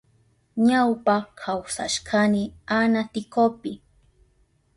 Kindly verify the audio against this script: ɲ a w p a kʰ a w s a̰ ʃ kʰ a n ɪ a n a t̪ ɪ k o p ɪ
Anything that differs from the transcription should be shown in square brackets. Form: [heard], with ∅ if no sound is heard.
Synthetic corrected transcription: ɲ a w p a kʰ a w s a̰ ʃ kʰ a n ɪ a n a t̪ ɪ k o p ɪ

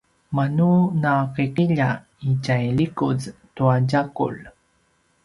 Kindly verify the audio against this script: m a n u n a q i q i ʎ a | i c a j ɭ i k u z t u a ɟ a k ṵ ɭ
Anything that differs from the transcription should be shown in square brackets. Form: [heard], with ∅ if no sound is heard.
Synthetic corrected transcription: m a n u n a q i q i ʎ a | i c a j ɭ i k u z t u a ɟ a k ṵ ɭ

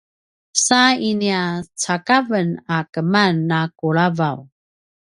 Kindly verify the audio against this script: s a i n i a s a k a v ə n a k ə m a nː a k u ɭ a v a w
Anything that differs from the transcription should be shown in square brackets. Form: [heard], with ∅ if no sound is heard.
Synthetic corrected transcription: s a i n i a [t͡s] a k a v ə n a k ə m a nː a k u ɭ a v a w

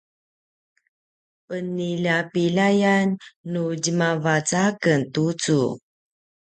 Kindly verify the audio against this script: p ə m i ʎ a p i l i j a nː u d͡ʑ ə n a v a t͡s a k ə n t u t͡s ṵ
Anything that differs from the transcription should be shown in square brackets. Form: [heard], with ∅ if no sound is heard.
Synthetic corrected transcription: p ə [n] i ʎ a p i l [a] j a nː u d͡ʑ ə [m] a v a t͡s a k ə n t u t͡s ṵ

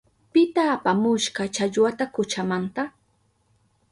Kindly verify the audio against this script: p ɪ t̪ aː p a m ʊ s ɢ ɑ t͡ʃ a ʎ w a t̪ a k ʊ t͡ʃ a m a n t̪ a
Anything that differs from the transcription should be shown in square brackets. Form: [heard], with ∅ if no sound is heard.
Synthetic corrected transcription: p ɪ t̪ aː p a m ʊ [ʃ] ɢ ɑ t͡ʃ a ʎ w a t̪ a k ʊ t͡ʃ a m a n t̪ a

